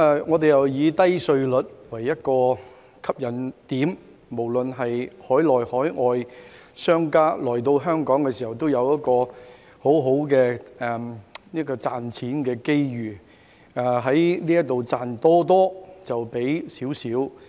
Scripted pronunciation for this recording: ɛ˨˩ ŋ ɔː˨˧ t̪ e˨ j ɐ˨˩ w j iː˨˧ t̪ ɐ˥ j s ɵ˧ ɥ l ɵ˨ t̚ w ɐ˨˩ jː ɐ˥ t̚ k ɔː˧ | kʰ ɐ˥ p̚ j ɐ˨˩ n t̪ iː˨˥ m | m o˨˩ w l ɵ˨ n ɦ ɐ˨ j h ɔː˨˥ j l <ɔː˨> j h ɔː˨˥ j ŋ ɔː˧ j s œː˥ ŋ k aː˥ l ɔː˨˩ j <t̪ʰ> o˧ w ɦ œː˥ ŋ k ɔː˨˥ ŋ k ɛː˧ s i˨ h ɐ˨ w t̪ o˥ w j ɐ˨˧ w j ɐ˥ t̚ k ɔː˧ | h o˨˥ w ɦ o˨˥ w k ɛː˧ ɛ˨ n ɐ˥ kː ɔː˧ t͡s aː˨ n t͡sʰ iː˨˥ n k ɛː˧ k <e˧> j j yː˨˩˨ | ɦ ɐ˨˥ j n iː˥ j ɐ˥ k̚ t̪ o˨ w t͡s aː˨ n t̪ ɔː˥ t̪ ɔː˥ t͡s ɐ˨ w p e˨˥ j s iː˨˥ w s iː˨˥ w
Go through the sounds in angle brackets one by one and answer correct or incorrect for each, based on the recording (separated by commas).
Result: correct, incorrect, incorrect